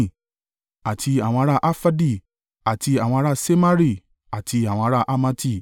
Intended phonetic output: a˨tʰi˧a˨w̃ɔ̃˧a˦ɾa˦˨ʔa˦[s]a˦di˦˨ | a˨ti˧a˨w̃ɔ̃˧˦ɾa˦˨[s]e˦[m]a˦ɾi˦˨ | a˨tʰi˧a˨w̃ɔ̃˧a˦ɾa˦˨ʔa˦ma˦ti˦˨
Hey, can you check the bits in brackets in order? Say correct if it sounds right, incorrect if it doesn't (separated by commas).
incorrect, correct, correct